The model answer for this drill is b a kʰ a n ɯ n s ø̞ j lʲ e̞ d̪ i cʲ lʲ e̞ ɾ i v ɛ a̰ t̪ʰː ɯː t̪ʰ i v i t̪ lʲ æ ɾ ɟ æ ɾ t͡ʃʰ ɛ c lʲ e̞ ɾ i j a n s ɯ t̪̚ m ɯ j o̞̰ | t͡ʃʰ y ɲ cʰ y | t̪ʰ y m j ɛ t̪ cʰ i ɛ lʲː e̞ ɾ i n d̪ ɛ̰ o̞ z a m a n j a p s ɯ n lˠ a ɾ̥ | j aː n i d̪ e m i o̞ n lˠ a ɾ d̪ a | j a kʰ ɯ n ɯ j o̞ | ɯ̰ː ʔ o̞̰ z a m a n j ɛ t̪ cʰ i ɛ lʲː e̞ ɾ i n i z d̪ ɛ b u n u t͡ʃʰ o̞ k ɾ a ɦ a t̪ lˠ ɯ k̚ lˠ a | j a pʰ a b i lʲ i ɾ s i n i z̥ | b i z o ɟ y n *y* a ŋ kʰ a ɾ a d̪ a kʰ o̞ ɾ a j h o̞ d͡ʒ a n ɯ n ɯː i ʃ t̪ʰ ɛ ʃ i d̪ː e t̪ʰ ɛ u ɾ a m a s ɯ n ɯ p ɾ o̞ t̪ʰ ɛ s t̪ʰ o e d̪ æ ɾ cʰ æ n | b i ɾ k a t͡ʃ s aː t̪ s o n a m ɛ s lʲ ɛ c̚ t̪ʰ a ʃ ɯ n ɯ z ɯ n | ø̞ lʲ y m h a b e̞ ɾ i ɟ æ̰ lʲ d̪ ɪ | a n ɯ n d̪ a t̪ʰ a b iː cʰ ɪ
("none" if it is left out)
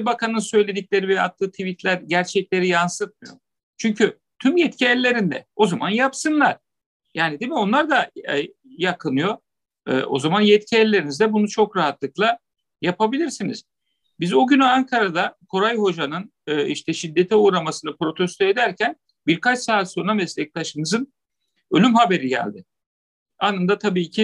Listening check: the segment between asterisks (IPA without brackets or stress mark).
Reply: y